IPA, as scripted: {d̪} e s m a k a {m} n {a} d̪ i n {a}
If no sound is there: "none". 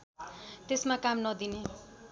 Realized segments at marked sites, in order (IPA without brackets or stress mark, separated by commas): t̪, m, ʌ, e